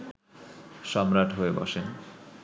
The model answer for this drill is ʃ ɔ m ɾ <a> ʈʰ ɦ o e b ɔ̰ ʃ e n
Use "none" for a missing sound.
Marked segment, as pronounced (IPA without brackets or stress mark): a